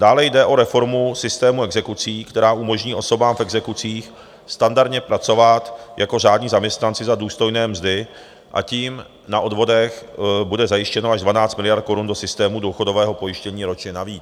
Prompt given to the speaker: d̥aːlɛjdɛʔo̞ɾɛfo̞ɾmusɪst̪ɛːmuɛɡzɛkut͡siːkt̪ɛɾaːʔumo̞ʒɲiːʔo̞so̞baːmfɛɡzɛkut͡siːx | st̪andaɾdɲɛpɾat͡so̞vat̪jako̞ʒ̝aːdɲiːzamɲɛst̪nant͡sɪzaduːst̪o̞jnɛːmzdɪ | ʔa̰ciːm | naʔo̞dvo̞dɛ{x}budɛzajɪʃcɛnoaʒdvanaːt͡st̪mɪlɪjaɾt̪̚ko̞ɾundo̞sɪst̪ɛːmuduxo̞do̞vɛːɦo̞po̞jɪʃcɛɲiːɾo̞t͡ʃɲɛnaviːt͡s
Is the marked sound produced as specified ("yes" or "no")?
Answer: yes